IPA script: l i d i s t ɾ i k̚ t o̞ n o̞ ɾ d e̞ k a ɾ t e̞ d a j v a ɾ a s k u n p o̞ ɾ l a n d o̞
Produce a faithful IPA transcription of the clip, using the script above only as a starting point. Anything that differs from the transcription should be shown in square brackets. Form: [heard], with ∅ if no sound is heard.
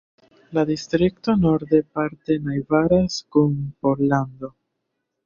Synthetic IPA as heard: l [a] d i s t ɾ i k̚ t o̞ n o̞ ɾ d e̞ [p] a ɾ t e̞ [n] a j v a ɾ a s k u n p o̞ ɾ l a n d o̞

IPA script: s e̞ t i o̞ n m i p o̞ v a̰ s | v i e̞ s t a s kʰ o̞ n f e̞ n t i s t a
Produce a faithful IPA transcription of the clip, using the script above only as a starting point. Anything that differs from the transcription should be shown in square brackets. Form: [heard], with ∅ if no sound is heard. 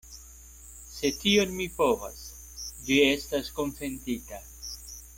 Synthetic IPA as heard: s e̞ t i o̞ n m i p o̞ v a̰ s | v i e̞ s t a s [k] o̞ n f e̞ n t i [∅] t a

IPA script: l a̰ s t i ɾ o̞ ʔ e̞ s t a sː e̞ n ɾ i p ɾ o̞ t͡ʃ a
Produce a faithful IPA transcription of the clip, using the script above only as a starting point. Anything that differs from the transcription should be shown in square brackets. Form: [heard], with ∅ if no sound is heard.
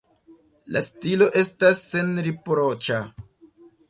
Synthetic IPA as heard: l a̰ s t i [l] o̞ ʔ e̞ s t a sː e̞ n ɾ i p ɾ o̞ t͡ʃ a

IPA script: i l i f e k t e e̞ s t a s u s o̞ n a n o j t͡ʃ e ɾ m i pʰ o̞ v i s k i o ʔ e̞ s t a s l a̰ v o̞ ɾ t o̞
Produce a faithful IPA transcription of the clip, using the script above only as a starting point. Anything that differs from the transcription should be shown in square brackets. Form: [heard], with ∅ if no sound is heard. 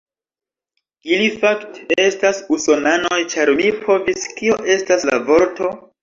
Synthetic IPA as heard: i l i f [a] k t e e̞ s t a s u s o̞ n a n o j t͡ʃ [a] ɾ m i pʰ o̞ v i s k i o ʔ e̞ s t a s l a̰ v o̞ ɾ t o̞

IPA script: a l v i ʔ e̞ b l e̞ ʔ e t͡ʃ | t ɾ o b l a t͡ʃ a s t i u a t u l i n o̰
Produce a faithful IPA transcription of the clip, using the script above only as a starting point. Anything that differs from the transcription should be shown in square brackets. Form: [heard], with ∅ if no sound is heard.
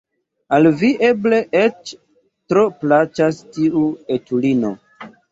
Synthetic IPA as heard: a l v i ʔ e̞ b l e̞ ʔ e t͡ʃ | t ɾ o [p] l a t͡ʃ a s t i u [e] t u l i n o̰

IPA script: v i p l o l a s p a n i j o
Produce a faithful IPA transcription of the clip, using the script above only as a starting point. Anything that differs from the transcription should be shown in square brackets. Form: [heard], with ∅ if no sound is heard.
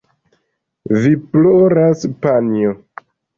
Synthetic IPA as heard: v i p l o [ɾ] a s p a n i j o

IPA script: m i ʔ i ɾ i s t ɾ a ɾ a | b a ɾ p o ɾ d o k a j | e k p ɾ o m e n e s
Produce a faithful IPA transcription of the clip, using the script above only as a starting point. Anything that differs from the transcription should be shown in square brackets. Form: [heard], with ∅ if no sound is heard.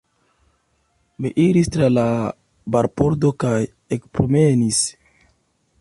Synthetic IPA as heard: m i ʔ i ɾ i s t ɾ a [l] a | b a ɾ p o ɾ d o k a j | e k p ɾ o m e n [i] s

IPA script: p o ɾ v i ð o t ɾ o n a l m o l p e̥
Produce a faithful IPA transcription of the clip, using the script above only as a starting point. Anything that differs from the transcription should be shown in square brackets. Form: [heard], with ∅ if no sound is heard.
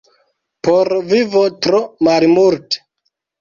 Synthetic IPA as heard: p o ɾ v i [v] o t ɾ o [m] a l m [u] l [t] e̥

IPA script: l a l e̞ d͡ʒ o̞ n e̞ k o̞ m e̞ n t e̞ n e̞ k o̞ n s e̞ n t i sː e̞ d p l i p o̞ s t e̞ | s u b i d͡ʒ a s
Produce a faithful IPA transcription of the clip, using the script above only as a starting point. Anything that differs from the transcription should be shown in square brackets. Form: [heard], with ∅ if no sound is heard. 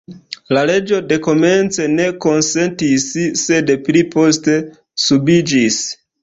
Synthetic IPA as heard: l a l e̞ d͡ʒ o̞ [d] e̞ k o̞ m e̞ n [t͡s] e̞ n e̞ k o̞ n s e̞ n t i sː e̞ d p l i p o̞ s t e̞ | s u b i d͡ʒ [i] s

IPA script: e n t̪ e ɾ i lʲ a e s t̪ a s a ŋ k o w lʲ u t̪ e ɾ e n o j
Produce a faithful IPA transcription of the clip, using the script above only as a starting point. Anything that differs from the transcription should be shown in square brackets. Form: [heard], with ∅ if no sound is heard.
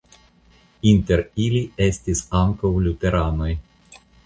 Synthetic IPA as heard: [i] n t̪ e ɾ i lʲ [i] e s t̪ [i] s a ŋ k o w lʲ u t̪ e ɾ [a] n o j

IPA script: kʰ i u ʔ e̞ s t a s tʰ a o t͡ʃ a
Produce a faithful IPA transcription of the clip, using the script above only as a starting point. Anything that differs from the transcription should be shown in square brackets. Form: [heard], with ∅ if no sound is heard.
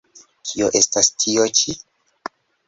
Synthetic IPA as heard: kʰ i [o] ʔ e̞ s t a s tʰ [i] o t͡ʃ [i]

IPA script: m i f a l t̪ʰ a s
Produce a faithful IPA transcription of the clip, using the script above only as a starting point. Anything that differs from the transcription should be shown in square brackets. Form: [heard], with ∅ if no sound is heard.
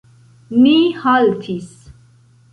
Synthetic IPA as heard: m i [h] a l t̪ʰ [i] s

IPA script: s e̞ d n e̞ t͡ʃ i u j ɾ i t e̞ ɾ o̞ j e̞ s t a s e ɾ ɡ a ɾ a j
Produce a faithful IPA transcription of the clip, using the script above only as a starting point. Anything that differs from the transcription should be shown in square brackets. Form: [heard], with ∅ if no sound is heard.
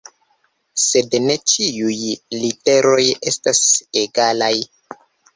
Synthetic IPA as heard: s e̞ d n e̞ t͡ʃ i u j [l] i t e̞ ɾ o̞ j e̞ s t a s e [∅] ɡ a [l] a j

